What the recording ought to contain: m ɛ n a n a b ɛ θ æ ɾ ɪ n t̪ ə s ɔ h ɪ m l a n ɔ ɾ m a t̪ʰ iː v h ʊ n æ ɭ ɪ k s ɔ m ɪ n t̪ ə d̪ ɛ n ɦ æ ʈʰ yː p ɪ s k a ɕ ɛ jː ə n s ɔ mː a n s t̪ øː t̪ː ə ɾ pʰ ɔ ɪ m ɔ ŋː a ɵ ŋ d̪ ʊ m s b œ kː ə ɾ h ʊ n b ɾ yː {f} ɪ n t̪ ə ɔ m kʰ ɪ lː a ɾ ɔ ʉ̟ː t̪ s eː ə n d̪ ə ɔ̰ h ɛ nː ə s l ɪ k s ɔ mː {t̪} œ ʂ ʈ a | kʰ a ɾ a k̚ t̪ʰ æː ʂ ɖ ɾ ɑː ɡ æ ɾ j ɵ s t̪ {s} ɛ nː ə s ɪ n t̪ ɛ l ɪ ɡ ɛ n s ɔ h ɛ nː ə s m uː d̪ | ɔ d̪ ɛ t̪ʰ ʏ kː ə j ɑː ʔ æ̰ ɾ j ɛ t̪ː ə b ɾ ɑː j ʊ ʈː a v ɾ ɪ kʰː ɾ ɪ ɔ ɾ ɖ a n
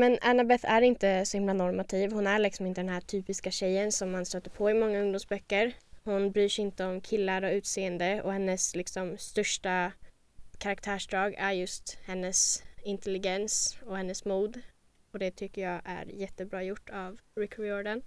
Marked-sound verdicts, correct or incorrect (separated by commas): incorrect, correct, incorrect